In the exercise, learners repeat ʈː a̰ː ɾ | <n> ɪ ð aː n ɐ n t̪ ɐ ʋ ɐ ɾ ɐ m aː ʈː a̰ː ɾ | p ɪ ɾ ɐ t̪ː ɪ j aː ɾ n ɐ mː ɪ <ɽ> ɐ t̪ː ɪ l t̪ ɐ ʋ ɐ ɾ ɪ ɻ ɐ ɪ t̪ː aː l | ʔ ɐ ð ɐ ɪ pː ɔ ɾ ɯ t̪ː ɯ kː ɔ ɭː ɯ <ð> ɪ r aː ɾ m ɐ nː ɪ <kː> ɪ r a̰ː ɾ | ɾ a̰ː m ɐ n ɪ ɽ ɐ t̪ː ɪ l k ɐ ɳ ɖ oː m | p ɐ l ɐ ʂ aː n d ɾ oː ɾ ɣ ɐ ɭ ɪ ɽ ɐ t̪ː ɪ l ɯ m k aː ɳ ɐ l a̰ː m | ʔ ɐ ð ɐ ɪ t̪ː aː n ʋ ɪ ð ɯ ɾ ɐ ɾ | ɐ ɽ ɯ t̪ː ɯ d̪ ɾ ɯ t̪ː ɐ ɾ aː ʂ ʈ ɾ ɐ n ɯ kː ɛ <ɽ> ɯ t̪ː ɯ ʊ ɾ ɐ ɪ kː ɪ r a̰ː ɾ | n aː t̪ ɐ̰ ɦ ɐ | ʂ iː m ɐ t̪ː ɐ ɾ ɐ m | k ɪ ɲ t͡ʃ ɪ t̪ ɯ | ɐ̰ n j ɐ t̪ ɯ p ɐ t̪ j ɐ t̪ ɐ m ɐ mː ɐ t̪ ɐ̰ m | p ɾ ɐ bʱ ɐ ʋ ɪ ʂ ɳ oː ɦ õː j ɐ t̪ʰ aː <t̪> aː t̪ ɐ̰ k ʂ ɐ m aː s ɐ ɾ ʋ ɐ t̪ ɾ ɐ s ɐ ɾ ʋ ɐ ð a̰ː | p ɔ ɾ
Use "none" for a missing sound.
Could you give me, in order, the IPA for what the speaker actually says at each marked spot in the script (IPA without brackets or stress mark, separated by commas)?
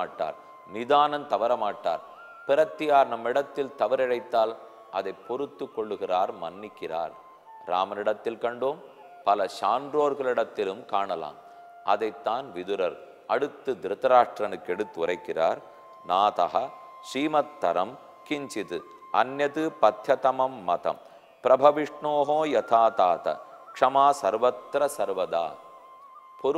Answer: n, ɽ, ɣ, kː, ɽ, t̪